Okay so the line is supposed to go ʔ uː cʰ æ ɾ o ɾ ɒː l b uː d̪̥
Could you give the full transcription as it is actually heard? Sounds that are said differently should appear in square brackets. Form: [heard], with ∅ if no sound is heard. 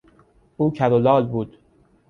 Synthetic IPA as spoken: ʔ uː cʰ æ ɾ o [l] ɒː l b uː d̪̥